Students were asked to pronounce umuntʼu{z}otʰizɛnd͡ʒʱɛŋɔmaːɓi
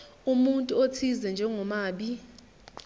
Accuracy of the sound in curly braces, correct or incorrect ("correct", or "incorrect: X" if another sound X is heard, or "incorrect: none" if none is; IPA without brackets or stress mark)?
incorrect: none